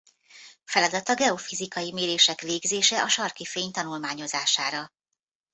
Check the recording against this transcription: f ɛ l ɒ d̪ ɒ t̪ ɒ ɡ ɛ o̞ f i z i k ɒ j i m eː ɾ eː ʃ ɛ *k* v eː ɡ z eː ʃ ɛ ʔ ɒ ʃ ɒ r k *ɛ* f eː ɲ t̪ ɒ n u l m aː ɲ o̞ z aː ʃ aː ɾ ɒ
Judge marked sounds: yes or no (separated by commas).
yes, no